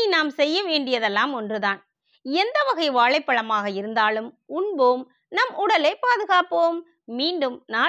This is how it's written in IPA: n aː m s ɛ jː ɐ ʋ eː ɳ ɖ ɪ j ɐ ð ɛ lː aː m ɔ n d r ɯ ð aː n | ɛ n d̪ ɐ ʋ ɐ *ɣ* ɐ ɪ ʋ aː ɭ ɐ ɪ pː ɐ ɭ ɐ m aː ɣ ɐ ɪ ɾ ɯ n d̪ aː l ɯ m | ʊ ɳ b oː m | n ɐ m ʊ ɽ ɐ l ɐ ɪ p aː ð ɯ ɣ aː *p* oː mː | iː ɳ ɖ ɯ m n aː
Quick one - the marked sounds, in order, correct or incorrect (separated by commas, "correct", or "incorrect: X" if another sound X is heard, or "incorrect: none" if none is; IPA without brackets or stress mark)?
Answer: correct, correct